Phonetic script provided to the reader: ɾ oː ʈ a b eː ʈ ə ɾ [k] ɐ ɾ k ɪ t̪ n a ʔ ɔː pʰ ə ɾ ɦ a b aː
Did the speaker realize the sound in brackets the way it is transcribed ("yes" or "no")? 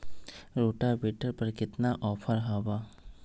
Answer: no